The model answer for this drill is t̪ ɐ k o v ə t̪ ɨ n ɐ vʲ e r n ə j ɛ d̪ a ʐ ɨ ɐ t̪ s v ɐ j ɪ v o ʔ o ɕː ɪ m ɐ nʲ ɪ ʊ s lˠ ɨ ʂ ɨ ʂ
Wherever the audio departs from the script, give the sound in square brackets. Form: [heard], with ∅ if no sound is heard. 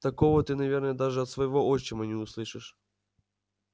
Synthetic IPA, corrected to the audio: t̪ ɐ k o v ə t̪ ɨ n ɐ vʲ e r n ə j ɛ d̪ a ʐ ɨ ɐ t̪ s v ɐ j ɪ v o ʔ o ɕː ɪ m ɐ nʲ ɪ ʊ s lˠ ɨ ʂ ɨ ʂ